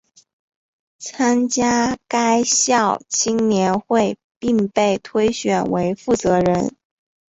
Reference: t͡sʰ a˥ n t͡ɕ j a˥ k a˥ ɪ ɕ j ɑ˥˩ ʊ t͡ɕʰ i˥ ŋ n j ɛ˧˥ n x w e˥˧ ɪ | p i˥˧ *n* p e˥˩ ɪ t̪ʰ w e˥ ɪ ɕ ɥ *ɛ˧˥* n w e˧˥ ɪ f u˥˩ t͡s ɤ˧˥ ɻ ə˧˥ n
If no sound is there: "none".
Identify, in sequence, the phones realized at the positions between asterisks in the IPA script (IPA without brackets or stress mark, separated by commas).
ŋ, ɛ˨˩